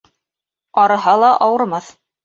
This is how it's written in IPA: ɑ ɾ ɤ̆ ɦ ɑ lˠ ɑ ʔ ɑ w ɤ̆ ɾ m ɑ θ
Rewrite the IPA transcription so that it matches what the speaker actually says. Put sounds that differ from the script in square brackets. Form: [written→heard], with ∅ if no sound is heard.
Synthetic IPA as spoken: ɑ ɾ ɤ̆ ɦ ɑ lˠ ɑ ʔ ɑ w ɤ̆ ɾ m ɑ θ